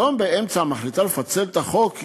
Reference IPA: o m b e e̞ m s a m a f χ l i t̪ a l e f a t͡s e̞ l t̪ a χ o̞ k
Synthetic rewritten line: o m b e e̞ m t͡s a m a χ l i t̪ a l e f a t͡s e̞ l t̪ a χ o̞ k